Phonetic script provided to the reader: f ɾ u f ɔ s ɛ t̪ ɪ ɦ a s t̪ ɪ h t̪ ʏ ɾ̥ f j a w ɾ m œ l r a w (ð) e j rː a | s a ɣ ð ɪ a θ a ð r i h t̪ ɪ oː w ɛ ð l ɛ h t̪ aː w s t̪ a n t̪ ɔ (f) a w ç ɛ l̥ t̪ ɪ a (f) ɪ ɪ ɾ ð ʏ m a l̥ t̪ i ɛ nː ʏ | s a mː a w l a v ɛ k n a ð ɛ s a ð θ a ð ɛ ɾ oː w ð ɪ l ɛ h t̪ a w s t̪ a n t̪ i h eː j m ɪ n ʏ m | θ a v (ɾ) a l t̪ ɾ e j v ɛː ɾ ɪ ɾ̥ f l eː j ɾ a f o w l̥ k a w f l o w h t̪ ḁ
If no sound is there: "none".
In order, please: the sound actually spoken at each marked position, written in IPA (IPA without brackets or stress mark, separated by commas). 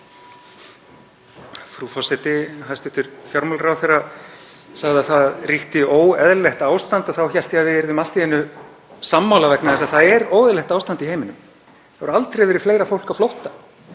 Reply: θ, θ, v, ɾ